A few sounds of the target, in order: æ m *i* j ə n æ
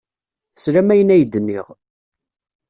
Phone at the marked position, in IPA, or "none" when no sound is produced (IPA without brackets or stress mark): æ